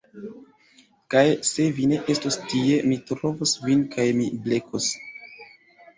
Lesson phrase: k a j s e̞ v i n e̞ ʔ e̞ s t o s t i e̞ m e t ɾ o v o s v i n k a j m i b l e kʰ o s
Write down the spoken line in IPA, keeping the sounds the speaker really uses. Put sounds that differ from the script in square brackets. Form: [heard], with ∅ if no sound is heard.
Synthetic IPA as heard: k a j s e̞ v i n e̞ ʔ e̞ s t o s t i e̞ m [i] t ɾ o v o s v i n k a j m i b l e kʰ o s